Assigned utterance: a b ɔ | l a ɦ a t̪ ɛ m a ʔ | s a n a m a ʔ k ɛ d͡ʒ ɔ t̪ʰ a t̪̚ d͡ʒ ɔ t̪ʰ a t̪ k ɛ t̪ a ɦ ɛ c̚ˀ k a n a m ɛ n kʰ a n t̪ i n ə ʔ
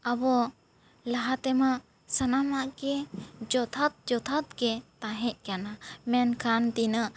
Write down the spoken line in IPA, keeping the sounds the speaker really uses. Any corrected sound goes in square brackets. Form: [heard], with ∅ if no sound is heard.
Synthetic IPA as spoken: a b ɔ | l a ɦ a t̪ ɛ m a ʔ | s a n a m a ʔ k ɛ d͡ʒ ɔ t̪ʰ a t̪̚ d͡ʒ ɔ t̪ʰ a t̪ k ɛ t̪ a ɦ ɛ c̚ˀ k a n a m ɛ n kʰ a n t̪ i n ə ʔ